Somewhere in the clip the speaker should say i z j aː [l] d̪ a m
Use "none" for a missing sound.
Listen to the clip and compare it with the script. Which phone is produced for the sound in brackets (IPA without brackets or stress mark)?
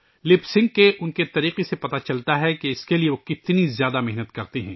none